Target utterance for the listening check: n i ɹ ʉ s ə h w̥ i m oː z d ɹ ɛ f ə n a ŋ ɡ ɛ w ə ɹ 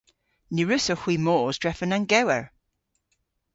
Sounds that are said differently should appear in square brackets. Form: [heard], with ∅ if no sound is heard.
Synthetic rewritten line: n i ɹ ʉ s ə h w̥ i m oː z d ɹ ɛ f ə n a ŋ ɡ ɛ w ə ɹ